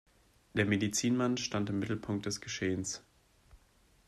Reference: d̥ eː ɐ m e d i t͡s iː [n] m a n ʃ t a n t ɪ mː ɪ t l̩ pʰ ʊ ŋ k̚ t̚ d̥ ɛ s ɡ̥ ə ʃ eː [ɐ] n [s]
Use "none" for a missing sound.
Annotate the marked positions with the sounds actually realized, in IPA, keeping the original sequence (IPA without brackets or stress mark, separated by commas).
n, ə, s